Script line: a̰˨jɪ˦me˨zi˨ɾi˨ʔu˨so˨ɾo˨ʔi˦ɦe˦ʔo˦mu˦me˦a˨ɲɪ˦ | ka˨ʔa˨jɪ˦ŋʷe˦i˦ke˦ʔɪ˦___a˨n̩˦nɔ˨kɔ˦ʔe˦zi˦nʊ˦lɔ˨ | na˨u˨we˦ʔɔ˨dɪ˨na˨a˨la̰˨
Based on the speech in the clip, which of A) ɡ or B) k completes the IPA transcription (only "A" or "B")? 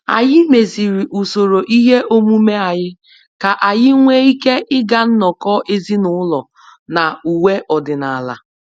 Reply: A